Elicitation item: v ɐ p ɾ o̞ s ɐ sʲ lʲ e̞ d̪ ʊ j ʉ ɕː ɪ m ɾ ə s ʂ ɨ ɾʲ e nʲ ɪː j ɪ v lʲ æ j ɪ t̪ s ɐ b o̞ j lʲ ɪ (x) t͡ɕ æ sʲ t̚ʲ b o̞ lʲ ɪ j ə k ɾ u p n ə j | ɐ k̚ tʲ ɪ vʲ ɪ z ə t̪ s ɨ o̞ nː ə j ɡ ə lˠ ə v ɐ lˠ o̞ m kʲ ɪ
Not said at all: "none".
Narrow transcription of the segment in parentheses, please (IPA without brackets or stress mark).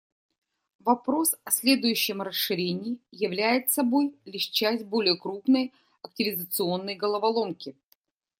ʂ